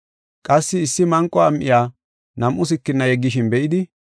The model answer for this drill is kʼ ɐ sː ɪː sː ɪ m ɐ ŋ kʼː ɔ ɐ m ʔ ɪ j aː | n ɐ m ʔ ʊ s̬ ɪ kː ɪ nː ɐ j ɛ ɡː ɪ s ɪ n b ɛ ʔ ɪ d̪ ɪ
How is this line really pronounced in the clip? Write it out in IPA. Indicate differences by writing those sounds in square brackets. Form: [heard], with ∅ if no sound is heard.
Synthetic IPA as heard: kʼ ɐ sː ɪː sː ɪ m ɐ ŋ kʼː ɔ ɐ m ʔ ɪ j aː | n ɐ m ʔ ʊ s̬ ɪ kː ɪ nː ɐ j ɛ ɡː ɪ [ʃ] ɪ n b ɛ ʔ ɪ d̪ ɪ